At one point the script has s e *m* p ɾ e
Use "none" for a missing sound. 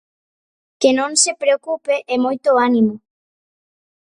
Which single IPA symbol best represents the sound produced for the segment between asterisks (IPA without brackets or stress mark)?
none